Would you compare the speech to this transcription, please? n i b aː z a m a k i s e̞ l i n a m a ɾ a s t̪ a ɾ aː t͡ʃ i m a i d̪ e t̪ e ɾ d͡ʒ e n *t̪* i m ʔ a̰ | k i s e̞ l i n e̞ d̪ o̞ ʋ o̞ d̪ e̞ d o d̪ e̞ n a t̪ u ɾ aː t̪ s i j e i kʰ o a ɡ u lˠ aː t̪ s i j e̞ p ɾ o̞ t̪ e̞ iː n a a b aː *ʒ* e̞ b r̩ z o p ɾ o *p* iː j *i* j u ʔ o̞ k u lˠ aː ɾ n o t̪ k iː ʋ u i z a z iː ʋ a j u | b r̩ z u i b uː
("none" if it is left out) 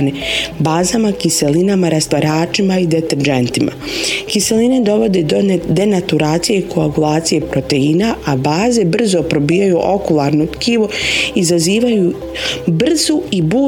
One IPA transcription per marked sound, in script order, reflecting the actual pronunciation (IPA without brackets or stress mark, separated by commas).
t̪, z, b, a